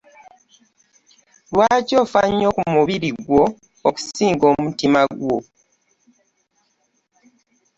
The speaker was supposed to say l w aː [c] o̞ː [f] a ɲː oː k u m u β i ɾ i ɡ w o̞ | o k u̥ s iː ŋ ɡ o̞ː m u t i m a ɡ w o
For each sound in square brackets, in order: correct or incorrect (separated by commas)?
correct, correct